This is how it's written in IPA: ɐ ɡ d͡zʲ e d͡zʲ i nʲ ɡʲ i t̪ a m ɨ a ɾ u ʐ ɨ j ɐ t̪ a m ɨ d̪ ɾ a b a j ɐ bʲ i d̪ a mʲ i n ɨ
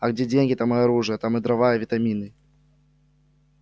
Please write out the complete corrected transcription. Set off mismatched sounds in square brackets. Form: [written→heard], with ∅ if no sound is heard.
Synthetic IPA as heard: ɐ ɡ d͡zʲ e d͡zʲ [i→e] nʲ ɡʲ i t̪ a m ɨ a ɾ u ʐ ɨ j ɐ t̪ a m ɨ d̪ ɾ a [b→v] a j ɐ [bʲ→vʲ] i [d̪→t̪] a mʲ i n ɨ